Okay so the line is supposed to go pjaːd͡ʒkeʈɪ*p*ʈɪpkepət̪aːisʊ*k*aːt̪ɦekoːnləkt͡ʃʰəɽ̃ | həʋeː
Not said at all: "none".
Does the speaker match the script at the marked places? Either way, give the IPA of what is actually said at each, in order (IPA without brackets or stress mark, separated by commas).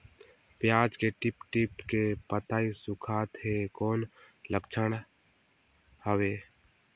p, kʰ